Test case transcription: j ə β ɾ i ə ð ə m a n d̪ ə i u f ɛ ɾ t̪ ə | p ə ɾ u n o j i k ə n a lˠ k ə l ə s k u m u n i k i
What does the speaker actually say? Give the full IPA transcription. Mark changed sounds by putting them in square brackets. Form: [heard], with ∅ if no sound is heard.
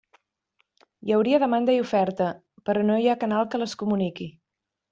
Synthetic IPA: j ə [w] ɾ i ə ð ə m a n d̪ ə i u f ɛ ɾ t̪ ə | p ə ɾ [ɔ] n o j [a] k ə n a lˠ k ə l ə s k u m u n i k i

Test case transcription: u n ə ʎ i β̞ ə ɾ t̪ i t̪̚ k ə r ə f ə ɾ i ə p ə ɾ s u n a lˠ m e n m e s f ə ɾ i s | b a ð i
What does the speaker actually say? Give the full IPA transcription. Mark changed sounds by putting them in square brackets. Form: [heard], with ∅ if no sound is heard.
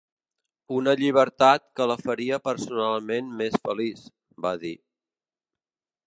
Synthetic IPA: u n ə ʎ i β̞ ə ɾ t̪ [a] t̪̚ k ə [l] ə f ə ɾ i ə p ə ɾ s u n a lˠ m e n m e s f ə [l] i s | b a ð i

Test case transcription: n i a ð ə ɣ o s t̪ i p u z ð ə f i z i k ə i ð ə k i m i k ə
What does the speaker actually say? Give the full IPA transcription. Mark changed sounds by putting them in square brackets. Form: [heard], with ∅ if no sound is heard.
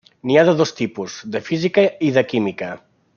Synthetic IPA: n i a ð ə [ð] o s t̪ i p u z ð ə f i z i k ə i ð ə k i m i k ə

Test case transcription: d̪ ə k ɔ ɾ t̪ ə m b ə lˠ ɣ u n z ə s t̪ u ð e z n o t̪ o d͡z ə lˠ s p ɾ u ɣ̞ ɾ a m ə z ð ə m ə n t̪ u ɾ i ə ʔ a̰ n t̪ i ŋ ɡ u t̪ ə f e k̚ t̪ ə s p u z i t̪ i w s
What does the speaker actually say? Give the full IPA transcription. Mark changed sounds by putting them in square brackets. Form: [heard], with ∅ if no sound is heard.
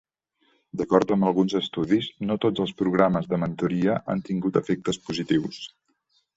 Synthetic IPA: d̪ ə k ɔ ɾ t̪ ə m b ə lˠ ɣ u n z ə s t̪ u ð [i] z n o t̪ o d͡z ə lˠ s p ɾ u ɣ̞ ɾ a m ə z ð ə m ə n t̪ u ɾ i ə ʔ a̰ n t̪ i ŋ ɡ u t̪ ə f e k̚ t̪ ə s p u z i t̪ i w s

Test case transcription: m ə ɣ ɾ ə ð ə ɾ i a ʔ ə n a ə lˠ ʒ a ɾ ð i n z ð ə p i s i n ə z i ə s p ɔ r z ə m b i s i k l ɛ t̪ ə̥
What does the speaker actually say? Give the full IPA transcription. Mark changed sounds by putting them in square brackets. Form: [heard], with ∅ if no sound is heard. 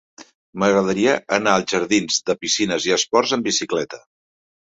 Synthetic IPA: m ə ɣ ɾ ə ð ə ɾ i [ə] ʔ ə n a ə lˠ ʒ [ə] ɾ ð i n z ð ə p i s i n ə z i ə s p ɔ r z ə m b i s i k l ɛ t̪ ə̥

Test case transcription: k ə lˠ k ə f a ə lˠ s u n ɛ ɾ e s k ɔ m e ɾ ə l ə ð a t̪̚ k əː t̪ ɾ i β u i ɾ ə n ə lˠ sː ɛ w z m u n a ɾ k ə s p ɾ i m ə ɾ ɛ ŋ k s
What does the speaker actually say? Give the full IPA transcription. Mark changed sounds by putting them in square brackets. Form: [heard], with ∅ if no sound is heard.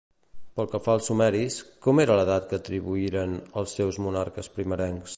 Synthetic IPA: [p] ə lˠ k ə f a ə lˠ s u [m] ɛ ɾ [i] s k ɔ m e ɾ ə l ə ð a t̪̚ k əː t̪ ɾ i β u i ɾ ə n ə lˠ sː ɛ w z m u n a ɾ k ə s p ɾ i m ə ɾ ɛ ŋ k s

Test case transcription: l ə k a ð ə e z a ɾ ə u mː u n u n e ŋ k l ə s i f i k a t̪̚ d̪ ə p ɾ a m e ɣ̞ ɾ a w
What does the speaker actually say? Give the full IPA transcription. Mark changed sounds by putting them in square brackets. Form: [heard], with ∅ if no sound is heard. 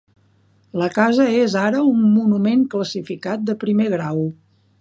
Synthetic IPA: l ə k a [z] ə e z a ɾ ə u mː u n u [m] e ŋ k l ə s i f i k a t̪̚ d̪ ə p ɾ [i] m e ɣ̞ ɾ a w

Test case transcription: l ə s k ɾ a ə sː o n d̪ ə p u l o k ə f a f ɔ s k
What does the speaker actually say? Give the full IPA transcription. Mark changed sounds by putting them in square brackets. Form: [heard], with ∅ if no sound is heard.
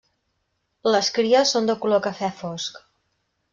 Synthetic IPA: l ə s k ɾ [i] ə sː o n d̪ ə [k] u l o k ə f [ɛ] f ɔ s k

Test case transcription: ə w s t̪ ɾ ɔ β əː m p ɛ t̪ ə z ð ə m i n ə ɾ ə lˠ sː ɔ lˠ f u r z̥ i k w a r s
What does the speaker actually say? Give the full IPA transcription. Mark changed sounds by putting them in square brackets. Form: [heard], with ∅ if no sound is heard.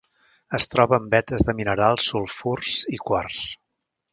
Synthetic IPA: ə [∅] s t̪ ɾ ɔ β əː m [b] ɛ t̪ ə z ð ə m i n ə ɾ [a] lˠ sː [u] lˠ f u r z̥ i k w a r s

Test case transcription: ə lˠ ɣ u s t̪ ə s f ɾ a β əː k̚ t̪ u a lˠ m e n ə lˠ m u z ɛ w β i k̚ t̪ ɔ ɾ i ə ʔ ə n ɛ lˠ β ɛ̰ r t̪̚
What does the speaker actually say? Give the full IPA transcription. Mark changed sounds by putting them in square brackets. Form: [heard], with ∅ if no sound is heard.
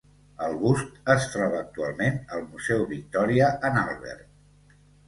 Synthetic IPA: ə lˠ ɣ u s t̪ ə s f ɾ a β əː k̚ t̪ u a lˠ m e n ə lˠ m u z ɛ w β i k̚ t̪ ɔ ɾ i ə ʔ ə n [a] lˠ β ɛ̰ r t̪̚

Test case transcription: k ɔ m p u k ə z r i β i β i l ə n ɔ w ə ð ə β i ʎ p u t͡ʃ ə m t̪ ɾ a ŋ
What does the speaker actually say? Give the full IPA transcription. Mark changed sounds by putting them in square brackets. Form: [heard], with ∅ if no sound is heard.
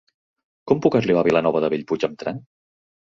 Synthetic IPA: k ɔ m p u k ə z [l] i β [a] β i l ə n ɔ [β] ə ð ə β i ʎ p u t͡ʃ ə m t̪ ɾ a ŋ

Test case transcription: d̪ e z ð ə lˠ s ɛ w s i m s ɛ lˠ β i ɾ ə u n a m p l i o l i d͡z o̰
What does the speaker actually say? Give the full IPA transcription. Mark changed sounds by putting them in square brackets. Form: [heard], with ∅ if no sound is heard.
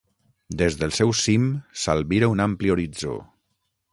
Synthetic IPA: d̪ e z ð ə lˠ s ɛ w s i m s [a] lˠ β i ɾ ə u n a m p l i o [ɾ] i d͡z o̰

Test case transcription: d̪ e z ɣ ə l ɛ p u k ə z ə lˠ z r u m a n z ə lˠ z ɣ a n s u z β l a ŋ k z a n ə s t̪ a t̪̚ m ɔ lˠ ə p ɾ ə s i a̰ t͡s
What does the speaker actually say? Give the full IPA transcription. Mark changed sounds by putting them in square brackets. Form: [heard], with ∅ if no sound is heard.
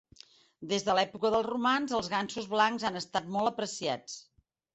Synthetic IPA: d̪ e z [ð] ə l ɛ p u k ə [ð] ə lˠ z r u m a n z ə lˠ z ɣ a n s u z β l a ŋ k z a n ə s t̪ a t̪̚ m ɔ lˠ ə p ɾ ə s i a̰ t͡s

